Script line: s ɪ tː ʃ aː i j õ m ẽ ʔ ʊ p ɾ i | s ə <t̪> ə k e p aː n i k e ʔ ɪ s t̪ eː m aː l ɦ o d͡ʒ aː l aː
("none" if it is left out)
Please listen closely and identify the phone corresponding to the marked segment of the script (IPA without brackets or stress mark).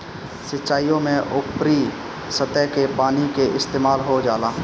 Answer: t̪